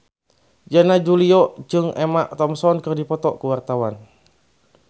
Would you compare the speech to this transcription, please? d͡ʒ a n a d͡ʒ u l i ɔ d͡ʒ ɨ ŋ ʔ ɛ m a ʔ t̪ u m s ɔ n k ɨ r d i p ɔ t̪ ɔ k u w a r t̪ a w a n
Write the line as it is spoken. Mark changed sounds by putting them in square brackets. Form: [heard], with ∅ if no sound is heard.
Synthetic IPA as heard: d͡ʒ a n a d͡ʒ u l i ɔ d͡ʒ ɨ ŋ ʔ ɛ m a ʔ t̪ [ɔ] m s ɔ n k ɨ r d i p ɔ t̪ ɔ k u w a r t̪ a w a n